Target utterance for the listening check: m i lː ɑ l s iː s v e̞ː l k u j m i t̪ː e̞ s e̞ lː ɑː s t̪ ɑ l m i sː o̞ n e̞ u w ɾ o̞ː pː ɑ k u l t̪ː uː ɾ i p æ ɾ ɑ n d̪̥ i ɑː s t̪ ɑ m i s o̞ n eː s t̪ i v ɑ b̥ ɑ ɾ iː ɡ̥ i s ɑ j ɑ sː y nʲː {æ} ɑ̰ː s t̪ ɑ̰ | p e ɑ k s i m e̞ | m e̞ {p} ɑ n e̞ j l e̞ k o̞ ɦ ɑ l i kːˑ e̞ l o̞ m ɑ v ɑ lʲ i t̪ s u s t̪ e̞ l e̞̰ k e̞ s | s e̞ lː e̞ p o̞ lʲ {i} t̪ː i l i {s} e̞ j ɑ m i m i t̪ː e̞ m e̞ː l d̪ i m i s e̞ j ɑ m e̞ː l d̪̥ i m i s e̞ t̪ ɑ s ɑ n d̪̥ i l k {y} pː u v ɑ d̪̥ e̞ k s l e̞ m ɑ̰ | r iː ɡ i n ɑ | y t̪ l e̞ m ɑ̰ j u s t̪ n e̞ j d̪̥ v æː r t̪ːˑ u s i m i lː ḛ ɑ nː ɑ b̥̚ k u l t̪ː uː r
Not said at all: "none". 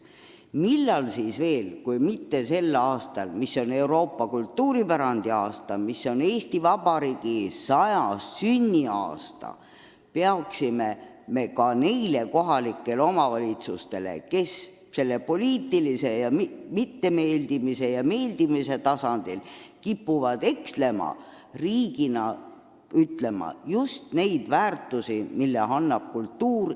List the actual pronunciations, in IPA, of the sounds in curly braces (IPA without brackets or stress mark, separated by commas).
i, k, iː, s, i